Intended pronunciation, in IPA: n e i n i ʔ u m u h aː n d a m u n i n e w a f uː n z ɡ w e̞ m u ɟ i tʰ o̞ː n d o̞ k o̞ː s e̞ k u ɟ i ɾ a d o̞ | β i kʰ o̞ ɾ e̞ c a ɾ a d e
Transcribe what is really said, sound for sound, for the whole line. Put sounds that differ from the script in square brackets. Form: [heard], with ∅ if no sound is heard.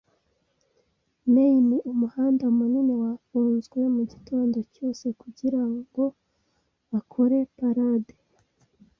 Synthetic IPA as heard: n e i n i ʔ u m u h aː n d a m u n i n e w a f uː n z ɡ w e̞ m u ɟ i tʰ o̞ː n d o̞ [c] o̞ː s e̞ k u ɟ i ɾ a [ɡ] o̞ | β [a] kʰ o̞ ɾ e̞ [p] a ɾ a d e